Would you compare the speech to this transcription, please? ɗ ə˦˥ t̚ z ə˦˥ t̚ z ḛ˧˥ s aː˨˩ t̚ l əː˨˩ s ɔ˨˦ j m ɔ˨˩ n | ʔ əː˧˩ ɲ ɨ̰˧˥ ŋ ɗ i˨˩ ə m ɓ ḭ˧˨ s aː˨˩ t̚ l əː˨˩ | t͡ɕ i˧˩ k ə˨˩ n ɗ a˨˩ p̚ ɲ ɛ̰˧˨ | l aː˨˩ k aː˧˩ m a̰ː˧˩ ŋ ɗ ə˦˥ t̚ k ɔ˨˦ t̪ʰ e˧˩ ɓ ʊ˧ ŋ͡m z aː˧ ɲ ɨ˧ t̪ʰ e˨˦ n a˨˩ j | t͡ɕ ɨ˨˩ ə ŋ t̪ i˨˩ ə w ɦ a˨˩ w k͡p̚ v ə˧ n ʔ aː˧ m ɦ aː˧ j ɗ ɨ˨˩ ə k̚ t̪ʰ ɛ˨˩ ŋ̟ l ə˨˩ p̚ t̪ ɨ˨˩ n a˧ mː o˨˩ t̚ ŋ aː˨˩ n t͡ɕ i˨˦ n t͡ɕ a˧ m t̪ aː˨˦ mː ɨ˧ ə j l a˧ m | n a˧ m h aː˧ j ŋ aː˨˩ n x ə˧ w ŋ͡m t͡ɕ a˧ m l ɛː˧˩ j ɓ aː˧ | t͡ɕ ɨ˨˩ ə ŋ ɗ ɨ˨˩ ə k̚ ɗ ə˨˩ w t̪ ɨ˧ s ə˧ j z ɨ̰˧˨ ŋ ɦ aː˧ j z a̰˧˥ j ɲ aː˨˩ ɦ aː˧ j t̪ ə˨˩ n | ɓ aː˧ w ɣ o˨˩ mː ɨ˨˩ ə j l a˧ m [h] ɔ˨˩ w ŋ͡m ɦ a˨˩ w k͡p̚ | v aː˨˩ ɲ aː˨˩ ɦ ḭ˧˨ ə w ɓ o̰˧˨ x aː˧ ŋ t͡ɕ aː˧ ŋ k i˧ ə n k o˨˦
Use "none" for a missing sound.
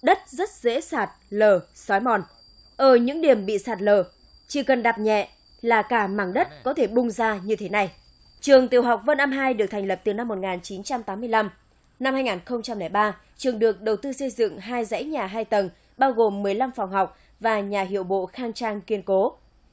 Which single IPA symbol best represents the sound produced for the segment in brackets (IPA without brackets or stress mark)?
f